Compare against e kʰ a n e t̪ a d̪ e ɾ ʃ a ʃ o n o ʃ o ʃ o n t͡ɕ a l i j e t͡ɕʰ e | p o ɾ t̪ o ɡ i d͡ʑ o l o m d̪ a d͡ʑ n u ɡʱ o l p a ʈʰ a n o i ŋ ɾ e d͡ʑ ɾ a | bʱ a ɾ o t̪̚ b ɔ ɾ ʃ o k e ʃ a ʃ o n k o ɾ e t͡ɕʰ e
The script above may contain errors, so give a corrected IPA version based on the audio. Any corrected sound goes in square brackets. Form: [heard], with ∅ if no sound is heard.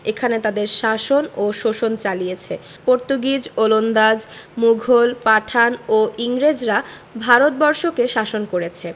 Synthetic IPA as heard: e kʰ a n e t̪ a d̪ e ɾ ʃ a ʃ o n o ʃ o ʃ o n t͡ɕ a l i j e t͡ɕʰ e | p o ɾ t̪ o ɡ i d͡ʑ o l o [n] d̪ a d͡ʑ [m] u ɡʱ o l p a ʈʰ a n o i ŋ ɾ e d͡ʑ ɾ a | bʱ a ɾ o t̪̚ b ɔ ɾ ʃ o k e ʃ a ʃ o n k o ɾ e t͡ɕʰ e